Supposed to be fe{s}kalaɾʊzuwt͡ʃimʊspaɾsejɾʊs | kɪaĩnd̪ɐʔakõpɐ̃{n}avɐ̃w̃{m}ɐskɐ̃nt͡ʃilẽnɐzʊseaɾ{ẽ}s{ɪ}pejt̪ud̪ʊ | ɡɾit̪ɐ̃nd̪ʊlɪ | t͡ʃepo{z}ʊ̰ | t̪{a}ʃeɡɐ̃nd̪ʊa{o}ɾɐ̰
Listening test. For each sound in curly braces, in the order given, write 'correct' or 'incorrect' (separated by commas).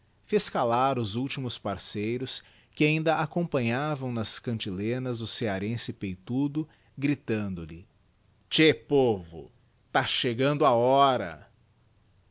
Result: correct, incorrect, incorrect, correct, correct, incorrect, correct, incorrect